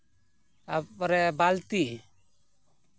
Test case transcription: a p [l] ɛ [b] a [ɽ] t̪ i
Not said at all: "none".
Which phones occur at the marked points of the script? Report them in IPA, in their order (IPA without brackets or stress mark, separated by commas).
ɾ, b, l